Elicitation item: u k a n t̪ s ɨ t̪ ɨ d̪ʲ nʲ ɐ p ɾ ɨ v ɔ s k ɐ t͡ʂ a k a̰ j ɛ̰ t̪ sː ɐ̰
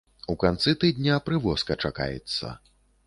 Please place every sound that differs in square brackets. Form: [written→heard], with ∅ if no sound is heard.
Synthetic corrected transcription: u k a n t̪ s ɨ t̪ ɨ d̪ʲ nʲ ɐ p ɾ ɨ v ɔ s k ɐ t͡ʂ a k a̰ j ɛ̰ t̪ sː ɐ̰